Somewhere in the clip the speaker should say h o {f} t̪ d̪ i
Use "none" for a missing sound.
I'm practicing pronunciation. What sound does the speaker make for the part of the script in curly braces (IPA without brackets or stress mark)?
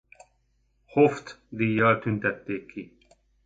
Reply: f